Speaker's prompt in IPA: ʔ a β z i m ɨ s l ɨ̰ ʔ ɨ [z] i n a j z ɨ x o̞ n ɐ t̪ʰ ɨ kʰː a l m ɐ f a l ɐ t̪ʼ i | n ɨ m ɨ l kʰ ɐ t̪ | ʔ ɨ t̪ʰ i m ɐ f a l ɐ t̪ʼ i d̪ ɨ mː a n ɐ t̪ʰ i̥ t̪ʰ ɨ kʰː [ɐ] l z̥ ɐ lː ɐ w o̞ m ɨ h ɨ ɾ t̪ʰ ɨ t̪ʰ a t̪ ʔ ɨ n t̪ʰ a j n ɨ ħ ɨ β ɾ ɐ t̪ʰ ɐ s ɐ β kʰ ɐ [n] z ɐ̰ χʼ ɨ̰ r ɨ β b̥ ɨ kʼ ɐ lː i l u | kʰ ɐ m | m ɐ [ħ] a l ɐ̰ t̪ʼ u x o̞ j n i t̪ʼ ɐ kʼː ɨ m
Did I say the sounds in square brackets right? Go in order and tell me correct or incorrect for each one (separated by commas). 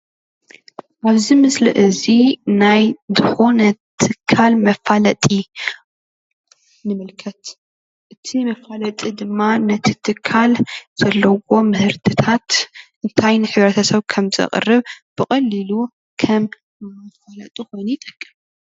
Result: correct, incorrect, incorrect, incorrect